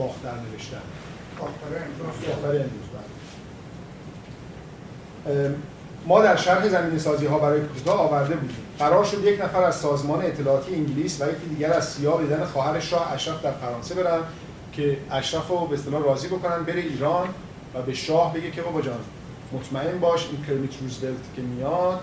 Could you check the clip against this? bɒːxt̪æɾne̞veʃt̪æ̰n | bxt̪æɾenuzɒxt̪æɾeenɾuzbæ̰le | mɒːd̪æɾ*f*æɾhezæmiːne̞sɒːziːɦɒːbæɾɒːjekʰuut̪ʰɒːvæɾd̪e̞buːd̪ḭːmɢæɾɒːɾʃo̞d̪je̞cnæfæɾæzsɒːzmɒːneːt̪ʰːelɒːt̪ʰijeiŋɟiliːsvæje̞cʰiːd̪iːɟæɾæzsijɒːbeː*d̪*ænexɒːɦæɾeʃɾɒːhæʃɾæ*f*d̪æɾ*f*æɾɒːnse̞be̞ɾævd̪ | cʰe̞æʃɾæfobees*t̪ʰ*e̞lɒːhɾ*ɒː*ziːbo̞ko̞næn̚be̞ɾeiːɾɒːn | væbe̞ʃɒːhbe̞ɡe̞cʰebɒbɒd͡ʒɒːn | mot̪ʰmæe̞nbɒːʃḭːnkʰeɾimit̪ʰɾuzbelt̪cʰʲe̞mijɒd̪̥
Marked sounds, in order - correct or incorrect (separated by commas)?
incorrect, correct, correct, correct, incorrect, correct